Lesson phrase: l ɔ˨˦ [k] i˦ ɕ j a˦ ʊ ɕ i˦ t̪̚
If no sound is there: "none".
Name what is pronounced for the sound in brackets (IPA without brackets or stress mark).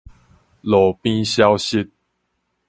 p